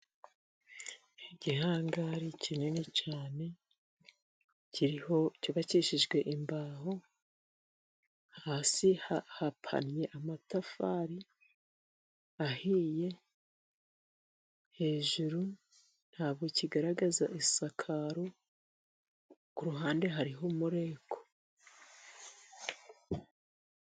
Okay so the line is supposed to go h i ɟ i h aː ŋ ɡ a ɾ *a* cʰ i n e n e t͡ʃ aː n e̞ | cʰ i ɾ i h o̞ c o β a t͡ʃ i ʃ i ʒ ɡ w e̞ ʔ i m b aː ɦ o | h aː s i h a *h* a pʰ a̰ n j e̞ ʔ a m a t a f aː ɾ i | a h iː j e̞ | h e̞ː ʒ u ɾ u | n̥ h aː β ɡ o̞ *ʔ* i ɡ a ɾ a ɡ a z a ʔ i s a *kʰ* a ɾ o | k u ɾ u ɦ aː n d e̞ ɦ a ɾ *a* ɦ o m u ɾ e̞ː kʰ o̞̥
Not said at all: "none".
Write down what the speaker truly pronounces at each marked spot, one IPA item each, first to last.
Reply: i, h, c, kʰ, i

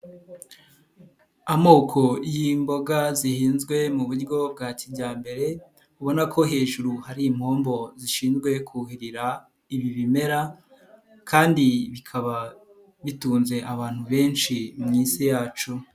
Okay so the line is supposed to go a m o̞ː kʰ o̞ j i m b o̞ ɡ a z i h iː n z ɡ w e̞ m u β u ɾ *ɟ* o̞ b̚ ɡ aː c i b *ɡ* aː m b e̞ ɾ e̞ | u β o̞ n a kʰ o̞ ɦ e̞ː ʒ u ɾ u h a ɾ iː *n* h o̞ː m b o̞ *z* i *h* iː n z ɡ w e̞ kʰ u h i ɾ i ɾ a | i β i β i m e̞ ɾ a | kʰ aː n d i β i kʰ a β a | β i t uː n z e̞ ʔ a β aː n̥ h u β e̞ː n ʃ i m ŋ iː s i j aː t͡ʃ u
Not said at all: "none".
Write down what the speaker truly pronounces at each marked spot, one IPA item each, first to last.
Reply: ɡ, ɟ, m, z, ʃ

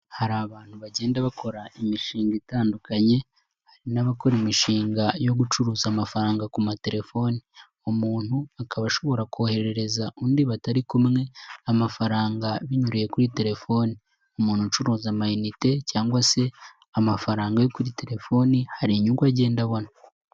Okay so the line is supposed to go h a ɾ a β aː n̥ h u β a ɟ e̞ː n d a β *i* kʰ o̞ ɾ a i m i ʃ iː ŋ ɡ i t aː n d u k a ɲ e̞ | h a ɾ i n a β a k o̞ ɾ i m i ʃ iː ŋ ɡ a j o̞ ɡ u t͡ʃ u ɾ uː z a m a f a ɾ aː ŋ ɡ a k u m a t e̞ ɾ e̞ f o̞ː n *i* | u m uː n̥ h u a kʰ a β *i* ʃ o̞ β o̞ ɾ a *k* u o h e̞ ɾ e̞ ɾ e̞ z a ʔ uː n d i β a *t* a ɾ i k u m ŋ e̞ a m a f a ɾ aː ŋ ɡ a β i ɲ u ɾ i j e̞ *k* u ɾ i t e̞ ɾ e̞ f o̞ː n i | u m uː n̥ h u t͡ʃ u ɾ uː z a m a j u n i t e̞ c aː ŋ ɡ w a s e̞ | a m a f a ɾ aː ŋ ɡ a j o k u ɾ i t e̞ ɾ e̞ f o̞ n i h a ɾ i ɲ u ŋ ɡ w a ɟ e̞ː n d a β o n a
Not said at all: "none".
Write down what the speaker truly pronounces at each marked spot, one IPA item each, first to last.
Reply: a, i, a, k, t, k

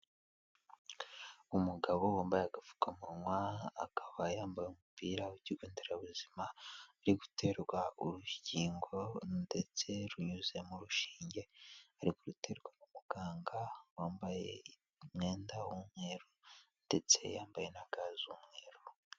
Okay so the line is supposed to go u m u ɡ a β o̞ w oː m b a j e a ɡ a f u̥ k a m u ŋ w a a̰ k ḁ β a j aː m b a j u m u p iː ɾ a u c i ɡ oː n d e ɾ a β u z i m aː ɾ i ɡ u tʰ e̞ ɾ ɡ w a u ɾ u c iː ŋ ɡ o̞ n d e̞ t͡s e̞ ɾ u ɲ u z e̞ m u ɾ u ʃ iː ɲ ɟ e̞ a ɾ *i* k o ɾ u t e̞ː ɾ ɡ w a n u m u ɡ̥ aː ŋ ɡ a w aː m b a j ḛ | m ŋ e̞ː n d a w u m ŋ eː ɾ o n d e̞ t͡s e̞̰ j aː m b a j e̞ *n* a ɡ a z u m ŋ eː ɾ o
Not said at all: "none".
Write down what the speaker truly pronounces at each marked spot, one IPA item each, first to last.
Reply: i, n

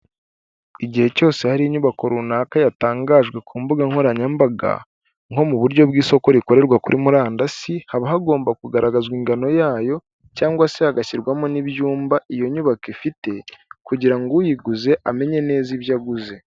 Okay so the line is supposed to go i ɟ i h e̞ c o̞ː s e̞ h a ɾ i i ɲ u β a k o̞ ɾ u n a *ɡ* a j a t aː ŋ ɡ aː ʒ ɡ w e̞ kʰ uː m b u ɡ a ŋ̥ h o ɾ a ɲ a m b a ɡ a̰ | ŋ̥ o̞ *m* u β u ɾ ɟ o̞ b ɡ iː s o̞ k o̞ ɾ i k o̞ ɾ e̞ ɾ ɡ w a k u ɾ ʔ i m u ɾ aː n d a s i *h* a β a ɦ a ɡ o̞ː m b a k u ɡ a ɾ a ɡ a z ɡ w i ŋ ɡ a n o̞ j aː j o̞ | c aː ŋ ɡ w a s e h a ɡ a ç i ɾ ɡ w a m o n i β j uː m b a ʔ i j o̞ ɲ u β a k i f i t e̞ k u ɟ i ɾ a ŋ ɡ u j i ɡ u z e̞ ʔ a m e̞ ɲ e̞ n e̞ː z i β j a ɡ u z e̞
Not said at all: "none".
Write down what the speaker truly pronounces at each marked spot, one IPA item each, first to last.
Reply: k, m, h

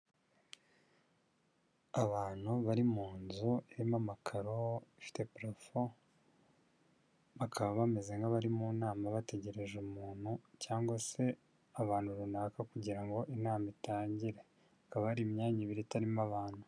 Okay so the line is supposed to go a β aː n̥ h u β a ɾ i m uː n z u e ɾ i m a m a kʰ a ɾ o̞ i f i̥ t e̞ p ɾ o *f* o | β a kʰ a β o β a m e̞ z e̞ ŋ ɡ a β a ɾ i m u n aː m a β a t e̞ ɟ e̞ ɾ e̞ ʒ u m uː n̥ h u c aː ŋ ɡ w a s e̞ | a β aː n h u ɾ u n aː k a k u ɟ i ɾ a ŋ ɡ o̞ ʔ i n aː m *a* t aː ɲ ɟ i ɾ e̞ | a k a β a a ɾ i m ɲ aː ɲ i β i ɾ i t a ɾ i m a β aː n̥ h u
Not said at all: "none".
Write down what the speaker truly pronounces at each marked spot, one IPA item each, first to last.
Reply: f, i

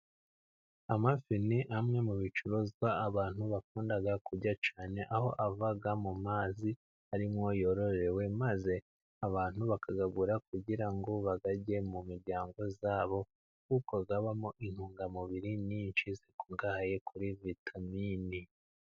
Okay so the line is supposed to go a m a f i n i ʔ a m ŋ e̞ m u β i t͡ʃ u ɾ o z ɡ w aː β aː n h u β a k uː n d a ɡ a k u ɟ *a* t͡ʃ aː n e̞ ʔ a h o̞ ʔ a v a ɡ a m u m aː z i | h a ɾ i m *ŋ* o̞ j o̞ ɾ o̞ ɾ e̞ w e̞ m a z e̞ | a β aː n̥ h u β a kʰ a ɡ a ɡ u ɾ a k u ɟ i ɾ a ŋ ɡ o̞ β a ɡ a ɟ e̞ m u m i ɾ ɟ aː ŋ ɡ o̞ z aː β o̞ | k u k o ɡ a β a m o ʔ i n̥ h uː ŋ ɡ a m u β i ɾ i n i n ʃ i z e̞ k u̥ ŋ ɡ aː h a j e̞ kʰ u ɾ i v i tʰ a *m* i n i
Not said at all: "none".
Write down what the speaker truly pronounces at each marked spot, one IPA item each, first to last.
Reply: a, ŋ, m

